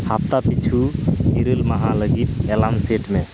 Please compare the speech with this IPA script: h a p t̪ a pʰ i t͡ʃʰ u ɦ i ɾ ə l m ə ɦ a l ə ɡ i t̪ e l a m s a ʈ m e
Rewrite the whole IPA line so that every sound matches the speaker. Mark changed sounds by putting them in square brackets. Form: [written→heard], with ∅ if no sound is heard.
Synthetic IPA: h a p t̪ a [pʰ→p] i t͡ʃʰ u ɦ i ɾ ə l m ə ɦ a l ə ɡ i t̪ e l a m s [a→e] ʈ m e